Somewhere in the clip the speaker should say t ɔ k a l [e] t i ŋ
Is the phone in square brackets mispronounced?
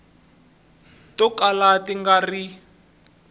yes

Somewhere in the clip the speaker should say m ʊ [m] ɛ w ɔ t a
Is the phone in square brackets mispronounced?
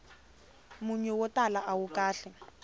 yes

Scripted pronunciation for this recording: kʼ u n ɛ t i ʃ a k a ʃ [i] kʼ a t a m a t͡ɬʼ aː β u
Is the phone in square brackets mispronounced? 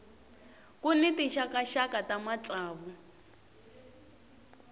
yes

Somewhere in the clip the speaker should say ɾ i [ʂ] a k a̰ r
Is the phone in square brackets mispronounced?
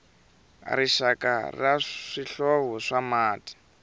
yes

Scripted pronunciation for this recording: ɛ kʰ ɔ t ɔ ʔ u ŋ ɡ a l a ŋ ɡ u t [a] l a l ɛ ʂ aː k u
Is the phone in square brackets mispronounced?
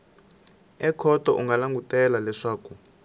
yes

